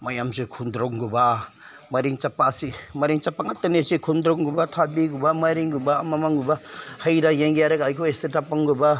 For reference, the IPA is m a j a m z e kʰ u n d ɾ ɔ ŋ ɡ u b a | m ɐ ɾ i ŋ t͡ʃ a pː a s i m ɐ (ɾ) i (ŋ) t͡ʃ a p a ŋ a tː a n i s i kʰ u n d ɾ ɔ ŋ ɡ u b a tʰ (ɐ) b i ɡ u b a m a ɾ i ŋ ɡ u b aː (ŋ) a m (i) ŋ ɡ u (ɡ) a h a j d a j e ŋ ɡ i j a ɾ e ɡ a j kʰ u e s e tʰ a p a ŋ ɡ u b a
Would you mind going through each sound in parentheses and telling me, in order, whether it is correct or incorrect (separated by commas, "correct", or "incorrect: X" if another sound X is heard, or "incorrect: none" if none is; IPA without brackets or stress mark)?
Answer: correct, correct, incorrect: a, incorrect: m, incorrect: a, incorrect: b